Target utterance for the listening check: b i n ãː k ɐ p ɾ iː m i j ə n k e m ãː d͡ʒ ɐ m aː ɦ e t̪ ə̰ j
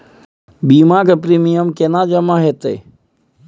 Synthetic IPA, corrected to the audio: b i m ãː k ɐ p ɾ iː m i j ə m k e n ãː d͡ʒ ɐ m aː ɦ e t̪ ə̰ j